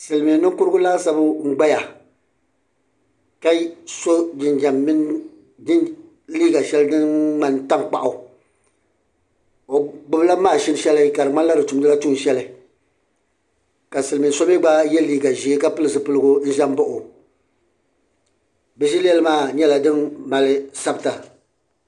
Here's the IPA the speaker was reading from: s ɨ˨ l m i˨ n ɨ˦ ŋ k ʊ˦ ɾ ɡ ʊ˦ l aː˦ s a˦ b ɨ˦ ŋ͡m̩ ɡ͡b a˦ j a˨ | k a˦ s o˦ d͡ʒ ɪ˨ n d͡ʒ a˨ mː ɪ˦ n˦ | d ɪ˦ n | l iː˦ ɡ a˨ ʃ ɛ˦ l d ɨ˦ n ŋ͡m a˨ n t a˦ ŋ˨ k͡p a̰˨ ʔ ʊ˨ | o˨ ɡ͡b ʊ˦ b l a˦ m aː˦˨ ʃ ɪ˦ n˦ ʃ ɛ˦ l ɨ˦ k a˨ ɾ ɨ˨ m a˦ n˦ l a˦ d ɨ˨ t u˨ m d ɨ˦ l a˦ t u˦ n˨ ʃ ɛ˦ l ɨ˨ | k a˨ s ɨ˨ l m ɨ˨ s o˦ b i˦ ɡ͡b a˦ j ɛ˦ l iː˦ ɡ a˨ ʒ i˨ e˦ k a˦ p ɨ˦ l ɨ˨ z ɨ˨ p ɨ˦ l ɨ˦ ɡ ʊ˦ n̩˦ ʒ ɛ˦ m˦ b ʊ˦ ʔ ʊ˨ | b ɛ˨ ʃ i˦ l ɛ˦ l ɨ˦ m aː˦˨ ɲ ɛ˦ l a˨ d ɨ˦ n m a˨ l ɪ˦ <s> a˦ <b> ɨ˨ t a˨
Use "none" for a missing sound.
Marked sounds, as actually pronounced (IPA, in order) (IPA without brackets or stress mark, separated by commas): s, b